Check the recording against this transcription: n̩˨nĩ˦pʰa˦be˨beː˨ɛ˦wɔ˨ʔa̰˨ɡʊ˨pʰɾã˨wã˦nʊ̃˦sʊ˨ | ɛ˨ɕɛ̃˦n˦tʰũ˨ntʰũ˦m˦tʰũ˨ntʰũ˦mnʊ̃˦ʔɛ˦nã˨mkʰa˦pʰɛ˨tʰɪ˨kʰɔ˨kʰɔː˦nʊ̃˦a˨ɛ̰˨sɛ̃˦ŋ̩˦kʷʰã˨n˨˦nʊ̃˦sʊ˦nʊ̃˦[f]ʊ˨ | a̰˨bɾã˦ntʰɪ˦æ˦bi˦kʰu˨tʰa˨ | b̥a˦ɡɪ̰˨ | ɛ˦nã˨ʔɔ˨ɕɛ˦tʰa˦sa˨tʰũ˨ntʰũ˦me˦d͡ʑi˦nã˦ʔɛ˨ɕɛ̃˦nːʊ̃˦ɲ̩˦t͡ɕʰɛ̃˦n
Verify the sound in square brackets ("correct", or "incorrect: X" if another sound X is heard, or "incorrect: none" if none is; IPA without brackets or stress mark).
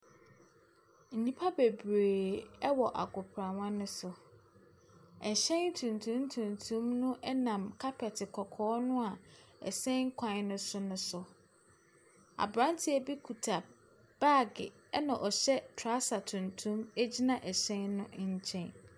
incorrect: s